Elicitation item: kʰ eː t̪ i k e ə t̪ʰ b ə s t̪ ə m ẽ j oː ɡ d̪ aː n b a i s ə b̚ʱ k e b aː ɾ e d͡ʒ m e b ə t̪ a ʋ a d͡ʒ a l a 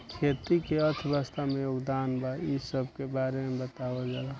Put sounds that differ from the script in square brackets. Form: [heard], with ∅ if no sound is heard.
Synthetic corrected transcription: kʰ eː t̪ i k e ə t̪ʰ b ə s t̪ [a] m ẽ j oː ɡ d̪ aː n b a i s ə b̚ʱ k e b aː ɾ e [∅] m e b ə t̪ a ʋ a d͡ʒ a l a